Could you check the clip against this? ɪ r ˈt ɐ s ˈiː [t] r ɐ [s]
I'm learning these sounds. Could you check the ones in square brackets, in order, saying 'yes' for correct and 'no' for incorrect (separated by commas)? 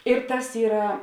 no, no